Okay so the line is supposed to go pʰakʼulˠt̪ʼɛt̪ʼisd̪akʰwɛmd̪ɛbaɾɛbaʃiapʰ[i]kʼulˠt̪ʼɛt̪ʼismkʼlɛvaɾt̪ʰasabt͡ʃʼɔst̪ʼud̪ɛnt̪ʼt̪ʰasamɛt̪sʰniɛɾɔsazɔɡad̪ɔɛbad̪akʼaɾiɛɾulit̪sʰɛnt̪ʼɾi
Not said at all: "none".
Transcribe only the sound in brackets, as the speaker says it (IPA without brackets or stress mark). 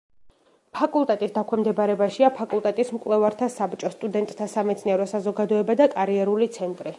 a